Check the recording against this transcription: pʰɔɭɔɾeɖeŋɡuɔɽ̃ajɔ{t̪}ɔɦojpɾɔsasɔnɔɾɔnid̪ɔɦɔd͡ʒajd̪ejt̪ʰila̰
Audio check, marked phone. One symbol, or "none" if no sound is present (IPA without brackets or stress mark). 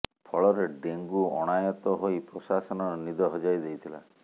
t̪